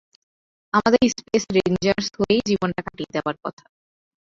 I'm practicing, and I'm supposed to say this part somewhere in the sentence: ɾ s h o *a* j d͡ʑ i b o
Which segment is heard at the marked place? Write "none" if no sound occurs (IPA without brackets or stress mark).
e